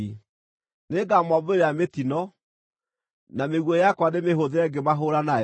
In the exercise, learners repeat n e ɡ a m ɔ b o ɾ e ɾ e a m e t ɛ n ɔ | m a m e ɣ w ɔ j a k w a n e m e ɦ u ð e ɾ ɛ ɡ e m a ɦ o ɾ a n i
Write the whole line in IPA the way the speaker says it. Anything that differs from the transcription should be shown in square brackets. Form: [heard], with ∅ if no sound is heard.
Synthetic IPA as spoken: n e ɡ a m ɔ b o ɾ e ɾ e a m e t [i] n ɔ | [n] a m e ɣ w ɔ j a k w a n e m e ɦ [o] ð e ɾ ɛ ɡ e m a ɦ o ɾ a n [a]